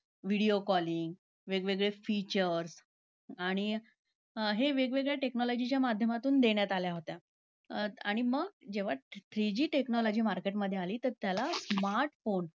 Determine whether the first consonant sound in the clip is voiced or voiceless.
voiced